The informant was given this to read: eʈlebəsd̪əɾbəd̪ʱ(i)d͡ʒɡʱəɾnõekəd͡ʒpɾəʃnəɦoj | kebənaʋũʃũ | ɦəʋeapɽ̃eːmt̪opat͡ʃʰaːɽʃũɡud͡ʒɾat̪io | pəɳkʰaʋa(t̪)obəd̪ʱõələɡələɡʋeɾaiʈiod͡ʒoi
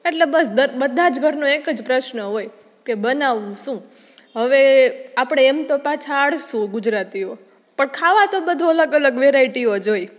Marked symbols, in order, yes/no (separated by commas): no, yes